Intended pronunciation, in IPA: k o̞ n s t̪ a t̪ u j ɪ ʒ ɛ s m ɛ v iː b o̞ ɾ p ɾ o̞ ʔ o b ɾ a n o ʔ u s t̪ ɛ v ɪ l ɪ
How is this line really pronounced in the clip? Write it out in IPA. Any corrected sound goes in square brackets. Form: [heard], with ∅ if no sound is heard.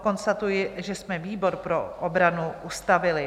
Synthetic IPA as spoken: k o̞ n s t̪ a t̪ u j ɪ ʒ ɛ s m ɛ v iː b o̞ ɾ p ɾ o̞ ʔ o b ɾ a n [u] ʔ u s t̪ [a] v ɪ l ɪ